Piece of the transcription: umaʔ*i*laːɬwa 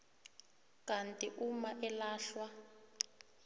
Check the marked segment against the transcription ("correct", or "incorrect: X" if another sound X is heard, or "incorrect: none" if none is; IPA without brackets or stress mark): incorrect: ɛ